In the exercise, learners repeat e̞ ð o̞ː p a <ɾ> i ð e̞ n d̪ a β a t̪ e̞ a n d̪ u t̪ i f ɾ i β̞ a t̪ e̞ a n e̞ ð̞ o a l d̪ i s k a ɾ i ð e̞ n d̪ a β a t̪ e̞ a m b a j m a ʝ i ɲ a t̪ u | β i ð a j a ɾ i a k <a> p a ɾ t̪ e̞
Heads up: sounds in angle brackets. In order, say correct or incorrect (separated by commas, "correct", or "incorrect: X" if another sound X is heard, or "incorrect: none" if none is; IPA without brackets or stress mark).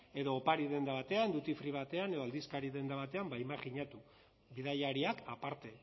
correct, correct